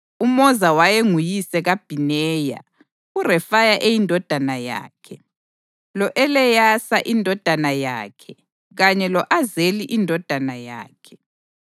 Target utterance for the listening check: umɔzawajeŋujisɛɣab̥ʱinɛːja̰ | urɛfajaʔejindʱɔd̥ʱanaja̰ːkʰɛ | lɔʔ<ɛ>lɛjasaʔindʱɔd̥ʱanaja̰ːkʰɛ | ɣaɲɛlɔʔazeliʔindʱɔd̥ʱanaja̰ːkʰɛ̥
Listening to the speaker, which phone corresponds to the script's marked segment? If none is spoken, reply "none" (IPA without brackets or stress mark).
ɛ